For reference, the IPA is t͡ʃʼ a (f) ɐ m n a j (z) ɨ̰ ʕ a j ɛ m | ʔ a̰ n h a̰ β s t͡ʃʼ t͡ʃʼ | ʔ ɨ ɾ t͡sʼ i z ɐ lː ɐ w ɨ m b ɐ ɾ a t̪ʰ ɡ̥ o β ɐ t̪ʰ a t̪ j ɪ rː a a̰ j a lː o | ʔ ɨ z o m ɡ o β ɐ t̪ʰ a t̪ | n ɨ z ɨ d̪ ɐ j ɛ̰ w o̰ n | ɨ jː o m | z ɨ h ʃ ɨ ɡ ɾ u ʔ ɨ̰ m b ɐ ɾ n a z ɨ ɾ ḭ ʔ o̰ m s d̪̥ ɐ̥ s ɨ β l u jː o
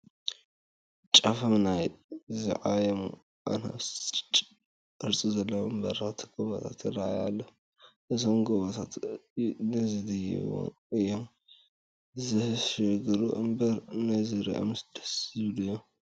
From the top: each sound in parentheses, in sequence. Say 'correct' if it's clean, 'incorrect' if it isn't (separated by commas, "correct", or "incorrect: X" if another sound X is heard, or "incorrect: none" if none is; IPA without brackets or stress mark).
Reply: correct, correct